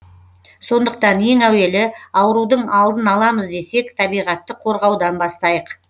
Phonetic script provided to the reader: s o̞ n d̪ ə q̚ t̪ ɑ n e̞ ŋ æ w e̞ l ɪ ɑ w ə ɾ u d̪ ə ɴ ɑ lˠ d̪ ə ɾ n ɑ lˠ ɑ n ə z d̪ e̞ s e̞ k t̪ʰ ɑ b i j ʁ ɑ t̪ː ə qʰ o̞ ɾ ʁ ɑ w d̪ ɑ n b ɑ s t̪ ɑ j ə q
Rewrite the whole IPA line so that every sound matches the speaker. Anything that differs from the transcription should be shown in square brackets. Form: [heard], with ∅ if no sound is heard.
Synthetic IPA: s o̞ n d̪ ə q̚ t̪ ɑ n e̞ ŋ æ w e̞ l ɪ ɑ w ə ɾ u d̪ ə ɴ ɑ lˠ d̪ ə [∅] n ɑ lˠ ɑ [m] ə z d̪ e̞ s e̞ k t̪ʰ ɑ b i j ʁ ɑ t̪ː ə qʰ o̞ ɾ ʁ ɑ w d̪ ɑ n b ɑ s t̪ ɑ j ə q